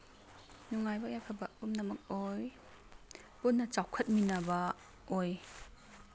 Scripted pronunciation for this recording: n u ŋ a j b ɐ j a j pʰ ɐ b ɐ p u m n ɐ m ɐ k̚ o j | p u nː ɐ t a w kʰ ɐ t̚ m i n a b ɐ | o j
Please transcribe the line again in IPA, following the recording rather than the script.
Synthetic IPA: n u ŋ a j b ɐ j a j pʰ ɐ b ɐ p u m n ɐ m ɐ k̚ o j | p u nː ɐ t͡ʃ a w kʰ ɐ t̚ m i n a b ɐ | o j